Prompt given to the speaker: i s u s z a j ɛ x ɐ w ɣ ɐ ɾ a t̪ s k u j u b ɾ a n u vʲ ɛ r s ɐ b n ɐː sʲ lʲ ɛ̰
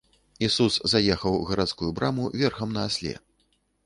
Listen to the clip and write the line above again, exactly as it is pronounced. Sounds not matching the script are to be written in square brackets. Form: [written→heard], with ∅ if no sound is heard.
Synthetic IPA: i s u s z a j ɛ x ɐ w ɣ ɐ ɾ a t̪ s k u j u b ɾ a [n→m] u vʲ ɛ r [s→x] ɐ [b→m] n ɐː sʲ lʲ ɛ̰